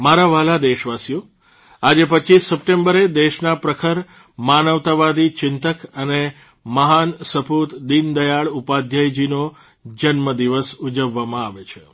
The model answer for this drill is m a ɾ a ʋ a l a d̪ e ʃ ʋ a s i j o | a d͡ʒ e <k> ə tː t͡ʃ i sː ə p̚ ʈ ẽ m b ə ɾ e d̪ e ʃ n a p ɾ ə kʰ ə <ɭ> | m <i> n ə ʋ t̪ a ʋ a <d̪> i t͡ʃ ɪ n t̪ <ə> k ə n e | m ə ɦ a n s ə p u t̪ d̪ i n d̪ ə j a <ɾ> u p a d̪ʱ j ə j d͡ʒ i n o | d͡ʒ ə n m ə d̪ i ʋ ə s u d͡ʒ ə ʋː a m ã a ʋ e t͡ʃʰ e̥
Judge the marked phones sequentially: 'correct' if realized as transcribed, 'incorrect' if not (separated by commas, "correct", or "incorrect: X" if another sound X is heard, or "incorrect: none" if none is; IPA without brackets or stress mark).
incorrect: p, incorrect: ɾ, incorrect: a, correct, correct, incorrect: ɭ